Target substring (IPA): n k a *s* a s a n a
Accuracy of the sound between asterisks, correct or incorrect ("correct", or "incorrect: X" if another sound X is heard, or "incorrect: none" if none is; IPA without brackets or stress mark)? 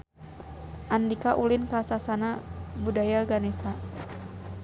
correct